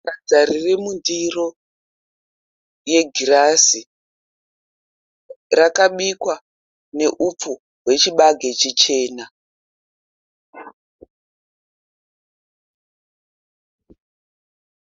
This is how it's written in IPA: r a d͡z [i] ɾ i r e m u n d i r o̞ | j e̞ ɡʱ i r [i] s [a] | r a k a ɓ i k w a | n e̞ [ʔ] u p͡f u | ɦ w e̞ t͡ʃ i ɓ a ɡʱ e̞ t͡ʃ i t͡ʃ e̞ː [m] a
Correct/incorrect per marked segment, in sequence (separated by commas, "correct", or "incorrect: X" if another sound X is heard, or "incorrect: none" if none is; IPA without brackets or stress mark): incorrect: a, incorrect: a, incorrect: i, correct, incorrect: n